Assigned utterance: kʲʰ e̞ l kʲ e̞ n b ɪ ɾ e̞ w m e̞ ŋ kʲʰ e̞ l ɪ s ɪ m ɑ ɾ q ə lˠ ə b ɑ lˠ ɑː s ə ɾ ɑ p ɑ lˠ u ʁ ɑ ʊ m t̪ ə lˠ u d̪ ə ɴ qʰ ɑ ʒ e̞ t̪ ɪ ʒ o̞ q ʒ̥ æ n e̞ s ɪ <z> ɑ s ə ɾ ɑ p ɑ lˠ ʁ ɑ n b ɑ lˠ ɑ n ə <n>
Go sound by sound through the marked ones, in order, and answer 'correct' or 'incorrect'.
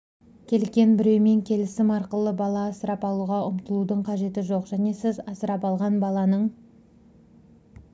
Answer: correct, incorrect: ɴ

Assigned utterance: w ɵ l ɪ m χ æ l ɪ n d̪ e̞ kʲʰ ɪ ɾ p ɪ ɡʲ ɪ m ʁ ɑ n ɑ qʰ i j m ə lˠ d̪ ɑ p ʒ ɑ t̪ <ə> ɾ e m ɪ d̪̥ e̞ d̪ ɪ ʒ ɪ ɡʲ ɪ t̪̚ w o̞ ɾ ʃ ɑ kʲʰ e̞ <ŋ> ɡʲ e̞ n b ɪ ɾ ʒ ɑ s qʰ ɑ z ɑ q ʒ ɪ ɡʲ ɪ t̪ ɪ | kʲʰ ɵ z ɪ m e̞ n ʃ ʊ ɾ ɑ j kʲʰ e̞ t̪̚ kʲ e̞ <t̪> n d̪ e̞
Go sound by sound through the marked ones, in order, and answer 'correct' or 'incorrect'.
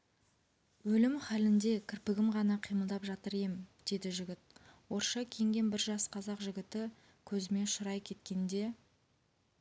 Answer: correct, correct, incorrect: none

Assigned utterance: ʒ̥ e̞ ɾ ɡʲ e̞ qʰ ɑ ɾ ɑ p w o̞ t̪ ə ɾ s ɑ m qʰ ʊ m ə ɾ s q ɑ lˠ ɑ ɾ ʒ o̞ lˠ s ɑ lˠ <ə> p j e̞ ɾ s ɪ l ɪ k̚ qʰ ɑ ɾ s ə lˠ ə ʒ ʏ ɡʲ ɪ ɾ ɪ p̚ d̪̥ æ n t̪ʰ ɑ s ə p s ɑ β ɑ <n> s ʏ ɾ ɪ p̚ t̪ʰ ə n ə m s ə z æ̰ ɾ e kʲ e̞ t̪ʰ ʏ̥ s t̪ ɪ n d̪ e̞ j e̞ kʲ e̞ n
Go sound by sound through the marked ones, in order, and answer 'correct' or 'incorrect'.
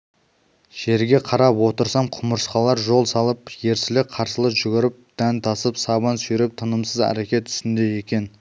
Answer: correct, correct

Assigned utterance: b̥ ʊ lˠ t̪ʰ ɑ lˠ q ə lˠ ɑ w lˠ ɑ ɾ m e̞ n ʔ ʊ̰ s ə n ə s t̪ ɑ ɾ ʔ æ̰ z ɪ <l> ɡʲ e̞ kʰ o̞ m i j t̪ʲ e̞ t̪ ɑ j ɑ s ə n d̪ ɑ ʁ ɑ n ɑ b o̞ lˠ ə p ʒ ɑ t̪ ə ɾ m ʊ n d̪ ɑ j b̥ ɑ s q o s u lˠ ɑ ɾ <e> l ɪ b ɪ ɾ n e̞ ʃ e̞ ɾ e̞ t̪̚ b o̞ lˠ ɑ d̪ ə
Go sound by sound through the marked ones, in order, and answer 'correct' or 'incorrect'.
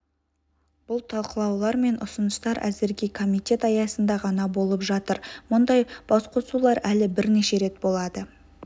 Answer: incorrect: ɾ, incorrect: æ

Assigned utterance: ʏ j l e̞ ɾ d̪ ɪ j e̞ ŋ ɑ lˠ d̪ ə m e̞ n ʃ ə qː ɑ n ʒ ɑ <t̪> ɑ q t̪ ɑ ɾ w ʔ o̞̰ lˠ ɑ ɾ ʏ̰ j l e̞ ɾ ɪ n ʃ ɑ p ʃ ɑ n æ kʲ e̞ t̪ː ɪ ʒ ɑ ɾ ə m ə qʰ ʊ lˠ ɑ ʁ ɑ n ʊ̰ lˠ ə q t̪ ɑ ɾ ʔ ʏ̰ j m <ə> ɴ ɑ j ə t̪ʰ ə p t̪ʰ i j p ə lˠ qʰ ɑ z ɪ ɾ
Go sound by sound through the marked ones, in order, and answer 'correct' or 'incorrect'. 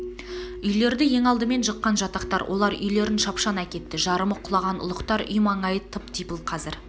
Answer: correct, incorrect: ɑ

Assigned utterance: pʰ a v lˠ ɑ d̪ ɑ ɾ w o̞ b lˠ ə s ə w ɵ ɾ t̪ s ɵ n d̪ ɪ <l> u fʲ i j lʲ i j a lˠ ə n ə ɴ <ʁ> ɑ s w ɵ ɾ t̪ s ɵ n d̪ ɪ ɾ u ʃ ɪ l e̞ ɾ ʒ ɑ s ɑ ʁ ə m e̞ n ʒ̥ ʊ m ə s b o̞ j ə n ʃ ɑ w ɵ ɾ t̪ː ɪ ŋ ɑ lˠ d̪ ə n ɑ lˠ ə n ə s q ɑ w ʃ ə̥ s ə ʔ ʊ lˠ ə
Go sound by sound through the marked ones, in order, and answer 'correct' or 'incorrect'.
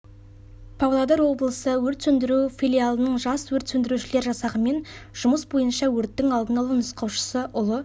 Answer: incorrect: ɾ, incorrect: ʒ

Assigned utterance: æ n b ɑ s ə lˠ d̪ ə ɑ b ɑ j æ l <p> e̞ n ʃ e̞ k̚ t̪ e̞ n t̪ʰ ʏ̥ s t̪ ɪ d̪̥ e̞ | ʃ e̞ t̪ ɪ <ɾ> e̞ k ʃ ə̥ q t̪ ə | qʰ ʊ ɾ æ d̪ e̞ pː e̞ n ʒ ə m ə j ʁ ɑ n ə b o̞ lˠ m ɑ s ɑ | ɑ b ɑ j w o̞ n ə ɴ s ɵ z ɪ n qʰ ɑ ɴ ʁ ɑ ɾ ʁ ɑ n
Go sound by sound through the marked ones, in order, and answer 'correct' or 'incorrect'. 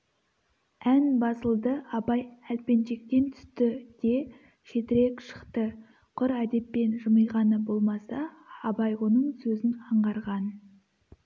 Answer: correct, correct

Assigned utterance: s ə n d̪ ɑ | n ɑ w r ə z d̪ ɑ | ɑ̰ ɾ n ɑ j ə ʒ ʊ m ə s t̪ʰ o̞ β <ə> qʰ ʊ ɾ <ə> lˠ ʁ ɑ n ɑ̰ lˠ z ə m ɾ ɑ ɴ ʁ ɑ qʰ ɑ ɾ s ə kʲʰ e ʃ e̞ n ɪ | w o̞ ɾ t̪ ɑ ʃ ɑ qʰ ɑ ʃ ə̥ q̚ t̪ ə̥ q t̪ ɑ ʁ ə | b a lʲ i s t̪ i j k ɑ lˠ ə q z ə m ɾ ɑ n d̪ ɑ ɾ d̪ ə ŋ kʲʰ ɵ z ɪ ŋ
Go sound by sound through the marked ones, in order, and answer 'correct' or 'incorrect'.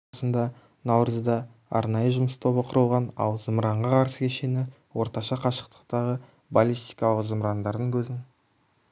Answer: correct, correct

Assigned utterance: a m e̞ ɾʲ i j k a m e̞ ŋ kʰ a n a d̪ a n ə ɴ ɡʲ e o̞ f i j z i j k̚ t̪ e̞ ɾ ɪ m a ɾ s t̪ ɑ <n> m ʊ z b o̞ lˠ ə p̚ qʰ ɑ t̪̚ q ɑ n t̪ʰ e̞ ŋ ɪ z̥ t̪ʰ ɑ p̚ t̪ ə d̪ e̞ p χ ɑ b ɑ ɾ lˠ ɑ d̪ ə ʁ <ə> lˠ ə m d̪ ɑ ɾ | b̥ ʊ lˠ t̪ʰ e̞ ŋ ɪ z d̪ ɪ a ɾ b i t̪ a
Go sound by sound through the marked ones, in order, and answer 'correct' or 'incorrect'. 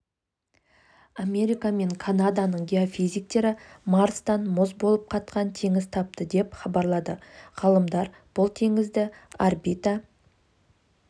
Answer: correct, incorrect: ɑ

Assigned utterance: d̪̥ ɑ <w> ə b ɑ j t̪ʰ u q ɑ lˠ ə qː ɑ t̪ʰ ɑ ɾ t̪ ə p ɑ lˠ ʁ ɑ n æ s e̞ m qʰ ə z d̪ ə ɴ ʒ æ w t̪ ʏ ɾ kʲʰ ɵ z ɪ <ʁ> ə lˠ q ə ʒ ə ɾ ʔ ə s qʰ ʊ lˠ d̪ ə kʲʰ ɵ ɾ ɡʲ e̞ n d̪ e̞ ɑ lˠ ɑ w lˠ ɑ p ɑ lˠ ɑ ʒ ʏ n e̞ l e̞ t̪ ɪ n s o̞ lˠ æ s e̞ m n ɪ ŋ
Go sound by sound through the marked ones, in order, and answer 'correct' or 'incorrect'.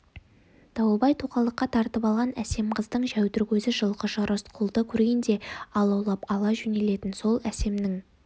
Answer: correct, incorrect: ʒ

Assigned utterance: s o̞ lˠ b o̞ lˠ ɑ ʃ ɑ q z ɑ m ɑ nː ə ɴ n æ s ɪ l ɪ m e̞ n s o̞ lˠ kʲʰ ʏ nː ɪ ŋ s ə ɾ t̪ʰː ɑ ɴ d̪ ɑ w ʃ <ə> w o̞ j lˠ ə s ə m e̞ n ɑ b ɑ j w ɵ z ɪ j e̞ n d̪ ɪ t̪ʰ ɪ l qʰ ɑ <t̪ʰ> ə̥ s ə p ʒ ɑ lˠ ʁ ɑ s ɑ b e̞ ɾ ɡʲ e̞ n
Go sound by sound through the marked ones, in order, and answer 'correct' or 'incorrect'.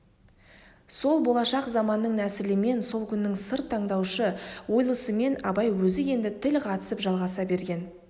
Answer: correct, incorrect: t̪

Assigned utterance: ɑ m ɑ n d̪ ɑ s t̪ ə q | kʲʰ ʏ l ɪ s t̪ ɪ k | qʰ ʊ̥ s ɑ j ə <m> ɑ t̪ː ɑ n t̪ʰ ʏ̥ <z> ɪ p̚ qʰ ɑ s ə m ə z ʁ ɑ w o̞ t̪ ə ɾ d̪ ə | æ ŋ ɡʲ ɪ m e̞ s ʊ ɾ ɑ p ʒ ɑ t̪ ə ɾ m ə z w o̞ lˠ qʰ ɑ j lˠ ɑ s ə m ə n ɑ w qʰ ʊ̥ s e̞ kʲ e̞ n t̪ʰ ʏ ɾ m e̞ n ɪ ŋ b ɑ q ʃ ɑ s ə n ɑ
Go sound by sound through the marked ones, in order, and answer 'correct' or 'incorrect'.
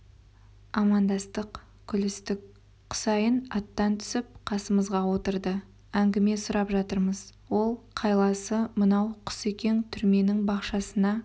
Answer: incorrect: n, incorrect: s

